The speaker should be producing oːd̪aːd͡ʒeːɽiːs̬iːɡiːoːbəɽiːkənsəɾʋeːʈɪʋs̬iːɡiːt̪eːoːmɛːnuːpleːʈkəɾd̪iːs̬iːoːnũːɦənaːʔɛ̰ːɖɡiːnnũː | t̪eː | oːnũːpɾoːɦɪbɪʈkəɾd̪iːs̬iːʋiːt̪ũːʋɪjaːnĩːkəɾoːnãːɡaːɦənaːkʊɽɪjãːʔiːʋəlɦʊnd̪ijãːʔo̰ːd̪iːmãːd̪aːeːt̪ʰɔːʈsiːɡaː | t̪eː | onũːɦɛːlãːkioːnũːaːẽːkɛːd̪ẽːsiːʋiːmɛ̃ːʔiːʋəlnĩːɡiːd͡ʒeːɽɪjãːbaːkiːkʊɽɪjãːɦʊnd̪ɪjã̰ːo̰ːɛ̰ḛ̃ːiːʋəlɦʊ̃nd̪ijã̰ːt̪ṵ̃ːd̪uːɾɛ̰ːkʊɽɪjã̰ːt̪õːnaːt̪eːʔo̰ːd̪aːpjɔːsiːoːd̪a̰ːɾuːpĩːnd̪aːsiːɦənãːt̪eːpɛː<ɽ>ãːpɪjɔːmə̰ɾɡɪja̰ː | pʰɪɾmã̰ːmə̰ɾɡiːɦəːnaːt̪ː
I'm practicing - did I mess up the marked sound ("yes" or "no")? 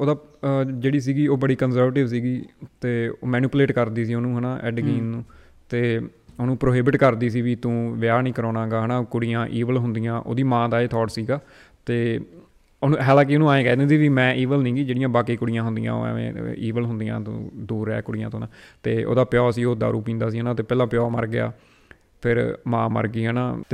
yes